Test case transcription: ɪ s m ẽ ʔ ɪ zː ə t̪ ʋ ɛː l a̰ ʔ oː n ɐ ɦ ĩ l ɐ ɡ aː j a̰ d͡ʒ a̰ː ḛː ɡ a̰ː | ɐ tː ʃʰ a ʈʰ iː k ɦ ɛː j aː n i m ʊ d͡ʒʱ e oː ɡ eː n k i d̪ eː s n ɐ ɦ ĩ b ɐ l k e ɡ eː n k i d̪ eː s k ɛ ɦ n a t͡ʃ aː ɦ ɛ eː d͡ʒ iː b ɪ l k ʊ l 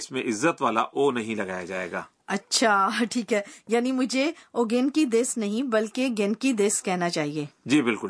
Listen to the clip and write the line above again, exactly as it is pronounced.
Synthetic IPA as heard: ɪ s m ẽ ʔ ɪ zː ə t̪ ʋ aː l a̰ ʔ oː n ɐ ɦ ĩ l ɐ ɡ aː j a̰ d͡ʒ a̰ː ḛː ɡ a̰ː | ɐ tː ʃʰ a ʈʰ iː k ɦ ɛː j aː n i m ʊ d͡ʒʱ e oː ɡ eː n k i d̪ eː s n ɐ ɦ ĩ b ɐ l k e ɡ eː n k i d̪ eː s k ɛ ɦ n a t͡ʃ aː ɦ i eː d͡ʒ iː b ɪ l k ʊ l